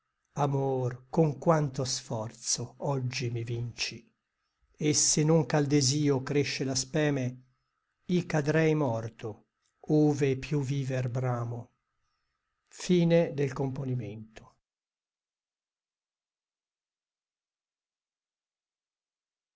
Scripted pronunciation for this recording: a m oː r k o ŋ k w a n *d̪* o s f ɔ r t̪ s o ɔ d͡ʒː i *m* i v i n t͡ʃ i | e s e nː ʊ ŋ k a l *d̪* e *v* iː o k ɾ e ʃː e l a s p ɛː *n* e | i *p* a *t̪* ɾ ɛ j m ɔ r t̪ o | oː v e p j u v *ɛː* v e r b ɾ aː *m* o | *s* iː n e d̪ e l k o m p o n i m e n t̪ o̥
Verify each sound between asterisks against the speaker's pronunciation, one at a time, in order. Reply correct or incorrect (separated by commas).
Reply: incorrect, correct, correct, incorrect, incorrect, incorrect, incorrect, incorrect, correct, incorrect